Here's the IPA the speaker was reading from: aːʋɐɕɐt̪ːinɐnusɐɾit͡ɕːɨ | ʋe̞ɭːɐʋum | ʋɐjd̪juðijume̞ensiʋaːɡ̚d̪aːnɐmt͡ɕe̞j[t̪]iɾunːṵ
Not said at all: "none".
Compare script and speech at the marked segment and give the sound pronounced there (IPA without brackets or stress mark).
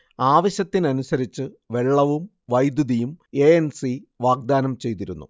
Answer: t̪